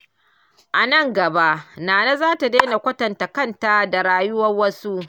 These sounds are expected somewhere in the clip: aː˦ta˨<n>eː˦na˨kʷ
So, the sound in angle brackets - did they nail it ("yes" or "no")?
no